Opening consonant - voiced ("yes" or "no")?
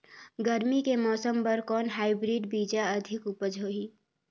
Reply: yes